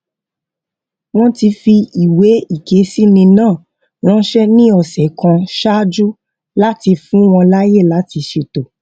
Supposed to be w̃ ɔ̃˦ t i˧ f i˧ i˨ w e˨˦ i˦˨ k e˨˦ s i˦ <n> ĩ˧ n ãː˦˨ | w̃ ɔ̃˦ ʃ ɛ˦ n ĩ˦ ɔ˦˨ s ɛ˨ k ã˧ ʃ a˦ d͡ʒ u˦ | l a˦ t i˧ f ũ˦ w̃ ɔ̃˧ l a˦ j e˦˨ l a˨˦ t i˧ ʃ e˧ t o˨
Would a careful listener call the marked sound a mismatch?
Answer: no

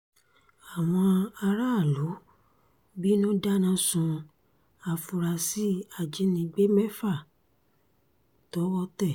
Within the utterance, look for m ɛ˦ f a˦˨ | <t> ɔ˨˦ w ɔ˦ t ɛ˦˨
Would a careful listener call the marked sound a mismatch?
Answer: no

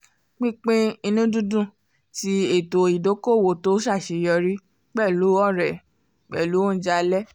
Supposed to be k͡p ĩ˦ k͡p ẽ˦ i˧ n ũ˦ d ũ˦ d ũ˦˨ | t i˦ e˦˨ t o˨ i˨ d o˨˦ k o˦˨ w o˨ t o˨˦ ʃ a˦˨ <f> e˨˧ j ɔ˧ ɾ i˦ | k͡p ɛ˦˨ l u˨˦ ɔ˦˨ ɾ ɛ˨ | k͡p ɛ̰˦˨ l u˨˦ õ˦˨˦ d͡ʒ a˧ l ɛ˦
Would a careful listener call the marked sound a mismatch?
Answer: yes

